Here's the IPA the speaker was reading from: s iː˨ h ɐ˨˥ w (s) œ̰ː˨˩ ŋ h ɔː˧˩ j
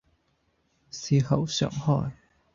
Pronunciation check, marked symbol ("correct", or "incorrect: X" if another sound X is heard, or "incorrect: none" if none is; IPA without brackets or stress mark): correct